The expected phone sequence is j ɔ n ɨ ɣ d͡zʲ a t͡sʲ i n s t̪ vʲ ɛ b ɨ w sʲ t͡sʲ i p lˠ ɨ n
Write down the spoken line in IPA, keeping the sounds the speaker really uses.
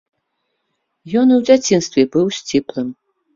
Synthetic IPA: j ɔ n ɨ w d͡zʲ a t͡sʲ i n s t̪ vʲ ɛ b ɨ w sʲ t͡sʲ i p lˠ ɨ m